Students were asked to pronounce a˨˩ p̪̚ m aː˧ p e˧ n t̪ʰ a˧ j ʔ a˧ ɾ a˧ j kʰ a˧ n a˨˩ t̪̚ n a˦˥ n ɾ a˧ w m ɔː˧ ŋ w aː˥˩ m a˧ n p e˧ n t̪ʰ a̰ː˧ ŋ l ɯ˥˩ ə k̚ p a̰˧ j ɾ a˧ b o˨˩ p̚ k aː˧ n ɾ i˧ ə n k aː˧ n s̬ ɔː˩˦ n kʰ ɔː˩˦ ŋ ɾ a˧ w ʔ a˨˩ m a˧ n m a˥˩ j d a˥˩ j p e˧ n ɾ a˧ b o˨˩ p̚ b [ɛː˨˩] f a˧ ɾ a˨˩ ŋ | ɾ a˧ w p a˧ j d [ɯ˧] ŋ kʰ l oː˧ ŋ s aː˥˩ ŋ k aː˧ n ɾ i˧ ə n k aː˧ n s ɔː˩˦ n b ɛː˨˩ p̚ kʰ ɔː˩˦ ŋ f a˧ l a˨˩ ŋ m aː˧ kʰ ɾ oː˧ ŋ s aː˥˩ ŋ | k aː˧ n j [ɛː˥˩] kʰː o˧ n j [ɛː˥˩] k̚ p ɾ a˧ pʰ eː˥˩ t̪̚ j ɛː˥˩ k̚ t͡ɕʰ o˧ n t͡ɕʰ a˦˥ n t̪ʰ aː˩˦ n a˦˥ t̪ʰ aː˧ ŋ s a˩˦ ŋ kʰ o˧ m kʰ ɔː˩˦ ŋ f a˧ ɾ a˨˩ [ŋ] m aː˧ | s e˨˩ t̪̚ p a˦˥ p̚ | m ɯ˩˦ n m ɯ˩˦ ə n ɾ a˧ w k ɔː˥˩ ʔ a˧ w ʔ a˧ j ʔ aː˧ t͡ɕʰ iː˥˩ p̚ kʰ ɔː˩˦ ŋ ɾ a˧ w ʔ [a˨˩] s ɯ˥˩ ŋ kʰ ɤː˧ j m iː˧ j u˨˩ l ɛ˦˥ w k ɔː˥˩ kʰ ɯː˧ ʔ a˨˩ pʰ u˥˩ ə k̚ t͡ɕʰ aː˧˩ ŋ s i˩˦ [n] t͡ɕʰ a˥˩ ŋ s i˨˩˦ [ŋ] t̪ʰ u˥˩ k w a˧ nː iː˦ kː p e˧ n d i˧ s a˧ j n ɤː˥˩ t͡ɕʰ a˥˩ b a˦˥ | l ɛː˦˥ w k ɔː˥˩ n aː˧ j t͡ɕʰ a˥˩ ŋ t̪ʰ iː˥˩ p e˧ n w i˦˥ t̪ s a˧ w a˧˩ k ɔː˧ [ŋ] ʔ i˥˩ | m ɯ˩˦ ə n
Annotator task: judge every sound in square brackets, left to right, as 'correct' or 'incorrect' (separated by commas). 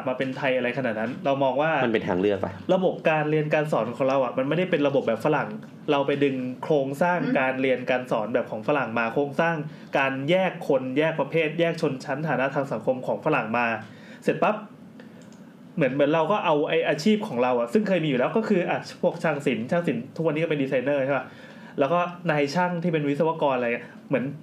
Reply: correct, correct, correct, correct, correct, correct, correct, incorrect, incorrect